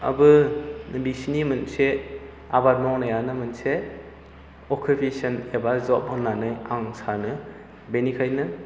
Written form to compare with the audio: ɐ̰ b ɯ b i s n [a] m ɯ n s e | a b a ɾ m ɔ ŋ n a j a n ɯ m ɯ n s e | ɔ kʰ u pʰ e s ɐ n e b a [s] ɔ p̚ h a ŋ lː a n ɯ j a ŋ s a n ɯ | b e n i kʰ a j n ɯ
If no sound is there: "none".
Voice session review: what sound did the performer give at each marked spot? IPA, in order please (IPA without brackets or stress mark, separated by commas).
i, z